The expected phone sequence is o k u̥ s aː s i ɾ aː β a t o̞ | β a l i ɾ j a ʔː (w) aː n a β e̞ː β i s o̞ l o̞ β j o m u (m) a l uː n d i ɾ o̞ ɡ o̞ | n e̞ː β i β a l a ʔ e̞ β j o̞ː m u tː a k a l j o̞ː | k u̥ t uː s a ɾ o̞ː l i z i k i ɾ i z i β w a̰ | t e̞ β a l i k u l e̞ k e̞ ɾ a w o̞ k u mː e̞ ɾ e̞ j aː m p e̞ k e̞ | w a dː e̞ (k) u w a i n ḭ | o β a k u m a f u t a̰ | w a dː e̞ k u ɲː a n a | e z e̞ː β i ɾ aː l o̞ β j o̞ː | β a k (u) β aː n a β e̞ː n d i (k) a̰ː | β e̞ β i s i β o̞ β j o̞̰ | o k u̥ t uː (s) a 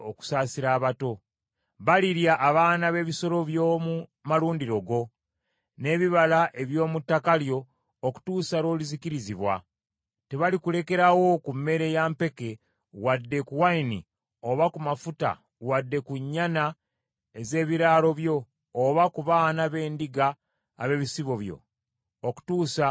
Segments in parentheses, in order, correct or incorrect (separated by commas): incorrect, correct, correct, correct, incorrect, correct